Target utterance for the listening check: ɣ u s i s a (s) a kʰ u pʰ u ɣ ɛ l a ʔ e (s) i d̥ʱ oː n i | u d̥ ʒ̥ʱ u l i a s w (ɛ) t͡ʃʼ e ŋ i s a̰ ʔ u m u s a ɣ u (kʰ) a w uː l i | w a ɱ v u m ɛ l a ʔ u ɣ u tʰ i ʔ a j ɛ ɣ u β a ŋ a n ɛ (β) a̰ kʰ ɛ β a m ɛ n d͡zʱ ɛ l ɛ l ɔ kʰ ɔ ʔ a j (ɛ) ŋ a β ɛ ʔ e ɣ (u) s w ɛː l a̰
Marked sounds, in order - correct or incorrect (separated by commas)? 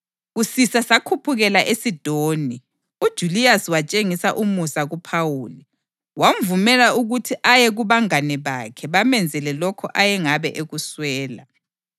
correct, correct, incorrect, incorrect, correct, correct, correct